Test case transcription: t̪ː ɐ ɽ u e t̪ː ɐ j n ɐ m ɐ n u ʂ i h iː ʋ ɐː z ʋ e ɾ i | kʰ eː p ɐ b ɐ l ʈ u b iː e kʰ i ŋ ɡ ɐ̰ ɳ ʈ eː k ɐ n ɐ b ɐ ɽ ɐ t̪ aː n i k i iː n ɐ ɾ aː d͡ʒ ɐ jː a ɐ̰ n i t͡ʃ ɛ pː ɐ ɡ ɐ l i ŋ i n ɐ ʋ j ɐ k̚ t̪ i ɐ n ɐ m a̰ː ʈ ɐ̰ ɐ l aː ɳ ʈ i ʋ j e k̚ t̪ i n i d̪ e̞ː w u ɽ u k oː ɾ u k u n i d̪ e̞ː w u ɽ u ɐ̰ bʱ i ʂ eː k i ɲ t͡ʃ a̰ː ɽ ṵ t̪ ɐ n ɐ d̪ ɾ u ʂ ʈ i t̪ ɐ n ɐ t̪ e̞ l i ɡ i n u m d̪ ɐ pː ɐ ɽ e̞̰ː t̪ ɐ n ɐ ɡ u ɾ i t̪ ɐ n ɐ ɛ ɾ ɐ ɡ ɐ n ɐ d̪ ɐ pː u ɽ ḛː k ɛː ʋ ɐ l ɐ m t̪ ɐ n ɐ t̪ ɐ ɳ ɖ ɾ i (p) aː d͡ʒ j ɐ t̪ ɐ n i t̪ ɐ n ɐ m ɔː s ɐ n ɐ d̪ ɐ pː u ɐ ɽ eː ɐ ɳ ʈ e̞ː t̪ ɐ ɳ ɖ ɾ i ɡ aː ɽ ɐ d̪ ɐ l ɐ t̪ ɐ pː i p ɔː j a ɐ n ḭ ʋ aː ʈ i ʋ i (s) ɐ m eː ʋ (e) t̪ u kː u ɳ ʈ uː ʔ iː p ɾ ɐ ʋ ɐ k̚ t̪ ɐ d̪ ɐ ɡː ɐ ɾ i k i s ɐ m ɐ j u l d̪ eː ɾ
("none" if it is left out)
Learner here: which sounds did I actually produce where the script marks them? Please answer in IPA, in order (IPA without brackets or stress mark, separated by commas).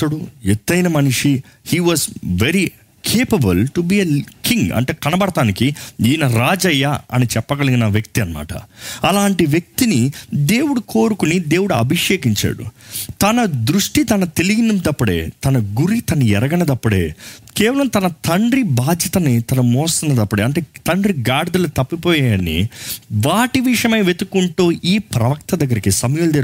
b, ʂ, e